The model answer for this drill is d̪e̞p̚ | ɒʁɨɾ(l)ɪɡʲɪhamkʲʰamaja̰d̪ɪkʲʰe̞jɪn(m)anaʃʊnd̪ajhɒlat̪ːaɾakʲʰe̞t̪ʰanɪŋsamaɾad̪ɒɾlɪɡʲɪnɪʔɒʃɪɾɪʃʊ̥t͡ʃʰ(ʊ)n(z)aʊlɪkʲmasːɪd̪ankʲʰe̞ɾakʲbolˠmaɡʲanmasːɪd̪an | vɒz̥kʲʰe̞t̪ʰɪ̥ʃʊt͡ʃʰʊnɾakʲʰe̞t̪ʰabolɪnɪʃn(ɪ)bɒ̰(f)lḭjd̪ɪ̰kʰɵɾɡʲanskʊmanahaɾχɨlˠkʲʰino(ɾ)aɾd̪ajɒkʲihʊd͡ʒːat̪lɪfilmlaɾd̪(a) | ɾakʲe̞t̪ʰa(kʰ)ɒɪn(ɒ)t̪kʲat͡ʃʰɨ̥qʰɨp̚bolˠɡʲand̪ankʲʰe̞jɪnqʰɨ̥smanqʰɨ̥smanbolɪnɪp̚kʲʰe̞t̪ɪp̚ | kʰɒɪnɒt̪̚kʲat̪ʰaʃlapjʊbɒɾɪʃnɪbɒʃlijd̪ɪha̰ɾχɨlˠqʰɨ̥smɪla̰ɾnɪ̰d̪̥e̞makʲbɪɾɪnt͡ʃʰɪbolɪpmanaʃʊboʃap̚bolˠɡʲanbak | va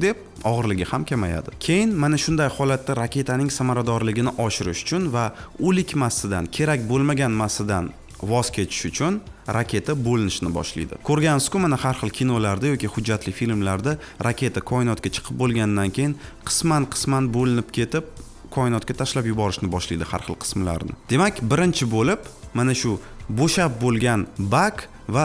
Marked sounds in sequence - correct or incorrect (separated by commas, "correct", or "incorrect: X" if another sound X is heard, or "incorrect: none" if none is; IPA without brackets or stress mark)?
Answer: correct, correct, correct, incorrect: v, correct, incorrect: ʃ, incorrect: l, correct, correct, correct